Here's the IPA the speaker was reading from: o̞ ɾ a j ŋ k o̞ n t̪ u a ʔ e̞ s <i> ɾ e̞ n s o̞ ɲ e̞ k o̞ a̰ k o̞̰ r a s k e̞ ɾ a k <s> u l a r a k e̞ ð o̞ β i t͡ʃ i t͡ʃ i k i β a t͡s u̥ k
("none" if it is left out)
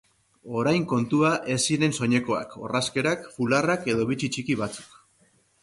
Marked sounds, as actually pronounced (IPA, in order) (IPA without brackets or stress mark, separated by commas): i, f